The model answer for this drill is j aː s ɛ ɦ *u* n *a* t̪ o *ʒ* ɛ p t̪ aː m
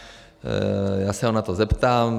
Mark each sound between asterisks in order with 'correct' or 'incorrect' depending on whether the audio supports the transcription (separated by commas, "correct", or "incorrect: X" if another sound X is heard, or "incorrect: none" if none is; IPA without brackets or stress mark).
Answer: incorrect: o, correct, incorrect: z